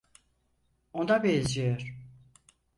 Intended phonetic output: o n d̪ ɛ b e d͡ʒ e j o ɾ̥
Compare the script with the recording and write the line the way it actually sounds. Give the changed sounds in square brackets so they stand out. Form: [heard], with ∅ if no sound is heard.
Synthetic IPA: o n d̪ [a] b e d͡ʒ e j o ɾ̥

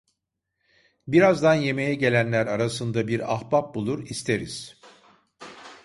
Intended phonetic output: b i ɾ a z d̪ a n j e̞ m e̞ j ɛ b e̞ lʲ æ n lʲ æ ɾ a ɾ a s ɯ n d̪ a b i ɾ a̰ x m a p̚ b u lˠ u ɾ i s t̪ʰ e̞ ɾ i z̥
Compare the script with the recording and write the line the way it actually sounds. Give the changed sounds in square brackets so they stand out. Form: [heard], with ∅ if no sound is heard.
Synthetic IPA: b i ɾ a z d̪ a n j e̞ m e̞ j ɛ [ɟ] e̞ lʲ æ n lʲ æ ɾ a ɾ a s ɯ n d̪ a b i ɾ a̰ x [b] a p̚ b u lˠ u ɾ i s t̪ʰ e̞ ɾ i z̥

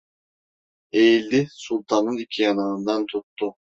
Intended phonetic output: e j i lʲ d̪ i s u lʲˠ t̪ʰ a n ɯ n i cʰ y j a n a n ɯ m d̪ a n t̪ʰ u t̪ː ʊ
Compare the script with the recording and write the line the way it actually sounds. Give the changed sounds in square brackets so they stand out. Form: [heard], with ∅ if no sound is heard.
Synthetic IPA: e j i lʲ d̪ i s u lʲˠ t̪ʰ a n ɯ n i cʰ [i] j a n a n ɯ [n] d̪ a n t̪ʰ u t̪ː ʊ

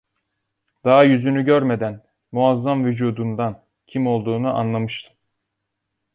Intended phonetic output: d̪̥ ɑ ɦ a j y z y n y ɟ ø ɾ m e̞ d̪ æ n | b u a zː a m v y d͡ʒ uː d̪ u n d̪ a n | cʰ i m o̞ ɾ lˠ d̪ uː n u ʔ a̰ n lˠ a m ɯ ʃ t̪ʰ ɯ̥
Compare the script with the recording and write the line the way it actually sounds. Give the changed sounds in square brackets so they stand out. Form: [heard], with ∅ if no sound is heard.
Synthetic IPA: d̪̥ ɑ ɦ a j y z y n y ɟ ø ɾ m e̞ d̪ æ n | [m] u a zː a m v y d͡ʒ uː d̪ u n d̪ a n | cʰ i m o̞ [∅] lˠ d̪ uː n u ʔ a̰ n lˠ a m ɯ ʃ t̪ʰ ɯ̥

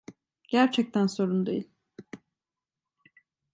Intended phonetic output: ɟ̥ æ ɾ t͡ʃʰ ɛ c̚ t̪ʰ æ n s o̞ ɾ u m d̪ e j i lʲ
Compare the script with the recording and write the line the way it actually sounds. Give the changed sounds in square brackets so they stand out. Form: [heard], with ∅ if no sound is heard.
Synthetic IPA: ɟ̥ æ ɾ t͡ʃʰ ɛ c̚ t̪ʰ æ n s o̞ ɾ u [n] d̪ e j i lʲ

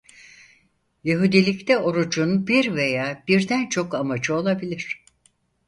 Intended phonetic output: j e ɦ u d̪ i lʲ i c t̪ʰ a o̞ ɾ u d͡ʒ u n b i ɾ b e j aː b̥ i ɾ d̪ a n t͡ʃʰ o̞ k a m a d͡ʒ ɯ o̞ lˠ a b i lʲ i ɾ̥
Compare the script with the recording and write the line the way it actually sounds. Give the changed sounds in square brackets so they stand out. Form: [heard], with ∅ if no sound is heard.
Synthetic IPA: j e ɦ u d̪ i lʲ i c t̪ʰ [ɛ] o̞ ɾ u d͡ʒ u n b i ɾ [v] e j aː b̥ i ɾ d̪ [æ] n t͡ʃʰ o̞ k a m a d͡ʒ ɯ o̞ lˠ a b i lʲ i ɾ̥

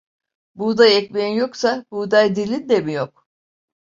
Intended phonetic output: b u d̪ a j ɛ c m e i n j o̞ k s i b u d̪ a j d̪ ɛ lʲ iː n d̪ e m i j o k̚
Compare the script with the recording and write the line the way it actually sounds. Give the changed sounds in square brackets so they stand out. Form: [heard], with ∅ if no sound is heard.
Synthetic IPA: b u d̪ a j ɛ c m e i n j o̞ k s [a] b u d̪ a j d̪ [i] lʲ [i] n d̪ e m i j o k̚

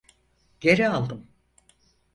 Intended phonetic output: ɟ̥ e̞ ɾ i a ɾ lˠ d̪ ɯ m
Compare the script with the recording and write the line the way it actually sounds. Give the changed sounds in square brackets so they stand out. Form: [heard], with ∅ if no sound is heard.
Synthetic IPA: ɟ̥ e̞ ɾ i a [∅] lˠ d̪ ɯ m

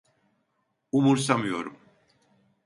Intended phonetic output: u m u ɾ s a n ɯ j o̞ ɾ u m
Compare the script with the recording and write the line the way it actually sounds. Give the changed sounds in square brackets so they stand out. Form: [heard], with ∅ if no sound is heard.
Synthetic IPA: u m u ɾ s a [m] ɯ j o̞ ɾ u m

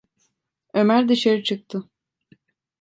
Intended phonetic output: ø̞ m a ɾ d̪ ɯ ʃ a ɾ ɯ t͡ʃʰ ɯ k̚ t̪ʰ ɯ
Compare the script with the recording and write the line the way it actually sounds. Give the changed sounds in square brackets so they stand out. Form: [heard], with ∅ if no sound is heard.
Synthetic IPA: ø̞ m [æ] ɾ d̪ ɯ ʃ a ɾ ɯ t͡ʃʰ ɯ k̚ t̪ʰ ɯ

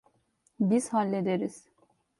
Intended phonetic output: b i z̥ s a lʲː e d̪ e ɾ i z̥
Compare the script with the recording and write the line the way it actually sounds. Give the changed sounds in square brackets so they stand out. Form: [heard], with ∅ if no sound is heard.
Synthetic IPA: b i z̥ [h] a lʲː e d̪ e ɾ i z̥

